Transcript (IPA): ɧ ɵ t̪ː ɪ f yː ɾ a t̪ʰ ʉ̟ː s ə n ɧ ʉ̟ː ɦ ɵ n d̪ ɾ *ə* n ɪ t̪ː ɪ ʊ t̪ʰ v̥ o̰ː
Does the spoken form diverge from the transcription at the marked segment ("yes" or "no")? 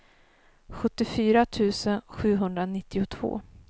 yes